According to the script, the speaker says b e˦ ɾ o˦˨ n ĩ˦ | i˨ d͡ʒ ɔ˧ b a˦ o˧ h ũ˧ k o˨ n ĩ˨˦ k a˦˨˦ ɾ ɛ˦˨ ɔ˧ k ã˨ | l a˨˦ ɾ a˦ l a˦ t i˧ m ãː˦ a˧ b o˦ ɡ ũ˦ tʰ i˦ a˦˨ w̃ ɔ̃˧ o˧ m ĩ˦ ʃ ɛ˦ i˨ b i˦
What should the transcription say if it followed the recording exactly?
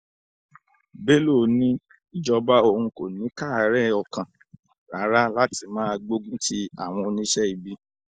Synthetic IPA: b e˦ l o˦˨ n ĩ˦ | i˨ d͡ʒ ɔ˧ b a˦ o˧ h ũ˧ k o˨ n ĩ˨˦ k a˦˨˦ ɾ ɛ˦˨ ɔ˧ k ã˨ | ɾ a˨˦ ɾ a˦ l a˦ t i˧ m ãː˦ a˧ ɡ͡b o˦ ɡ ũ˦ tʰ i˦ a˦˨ w̃ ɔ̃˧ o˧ n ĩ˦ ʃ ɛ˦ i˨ b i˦

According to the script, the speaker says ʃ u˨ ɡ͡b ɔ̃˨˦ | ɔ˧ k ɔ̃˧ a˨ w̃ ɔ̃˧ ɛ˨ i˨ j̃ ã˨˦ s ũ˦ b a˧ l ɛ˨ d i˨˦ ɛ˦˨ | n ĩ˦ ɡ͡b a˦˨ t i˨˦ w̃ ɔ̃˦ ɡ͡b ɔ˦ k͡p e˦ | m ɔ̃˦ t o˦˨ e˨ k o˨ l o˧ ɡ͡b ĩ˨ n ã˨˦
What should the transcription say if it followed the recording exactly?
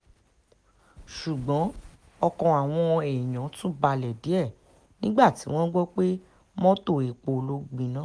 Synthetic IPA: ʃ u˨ ɡ͡b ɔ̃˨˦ | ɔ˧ k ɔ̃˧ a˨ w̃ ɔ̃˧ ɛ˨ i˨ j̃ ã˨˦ t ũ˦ b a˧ l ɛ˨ d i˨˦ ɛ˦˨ | n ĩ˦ ɡ͡b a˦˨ t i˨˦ w̃ ɔ̃˦ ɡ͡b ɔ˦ k͡p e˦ | m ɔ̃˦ t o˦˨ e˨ k͡p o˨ l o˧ ɡ͡b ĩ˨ n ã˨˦

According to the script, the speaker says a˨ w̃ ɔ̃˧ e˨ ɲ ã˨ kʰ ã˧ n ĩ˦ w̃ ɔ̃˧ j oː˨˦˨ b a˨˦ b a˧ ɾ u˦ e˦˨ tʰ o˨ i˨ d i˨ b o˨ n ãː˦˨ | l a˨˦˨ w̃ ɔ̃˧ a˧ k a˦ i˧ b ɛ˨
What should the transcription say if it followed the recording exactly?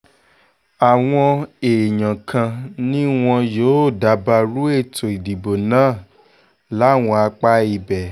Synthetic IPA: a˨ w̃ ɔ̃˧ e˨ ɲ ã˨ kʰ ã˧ n ĩ˦ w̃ ɔ̃˧ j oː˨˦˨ d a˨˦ b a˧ ɾ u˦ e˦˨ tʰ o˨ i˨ d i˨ b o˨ n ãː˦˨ | l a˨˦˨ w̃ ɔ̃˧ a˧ k͡p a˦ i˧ b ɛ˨

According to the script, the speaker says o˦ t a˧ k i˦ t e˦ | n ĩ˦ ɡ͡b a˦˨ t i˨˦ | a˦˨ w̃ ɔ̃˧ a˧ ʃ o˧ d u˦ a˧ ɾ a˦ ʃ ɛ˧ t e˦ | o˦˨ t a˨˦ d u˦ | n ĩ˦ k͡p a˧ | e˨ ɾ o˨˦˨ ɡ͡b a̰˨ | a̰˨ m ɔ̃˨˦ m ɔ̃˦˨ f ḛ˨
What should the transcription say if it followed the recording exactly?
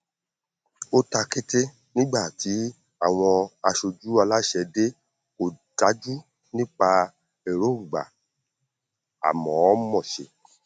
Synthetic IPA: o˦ t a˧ k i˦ t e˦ | n ĩ˦ ɡ͡b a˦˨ t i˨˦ | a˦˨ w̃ ɔ̃˧ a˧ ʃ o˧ d͡ʒ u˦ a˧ l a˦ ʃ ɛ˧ d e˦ | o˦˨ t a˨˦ d͡ʒ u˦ | n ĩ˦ k͡p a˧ | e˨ ɾ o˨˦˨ ɡ͡b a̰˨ | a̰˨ m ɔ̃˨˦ m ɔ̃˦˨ ʃ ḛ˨

